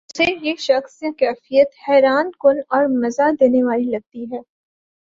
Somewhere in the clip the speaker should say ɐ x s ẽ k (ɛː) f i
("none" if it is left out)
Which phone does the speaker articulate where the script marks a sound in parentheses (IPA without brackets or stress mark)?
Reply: ɛː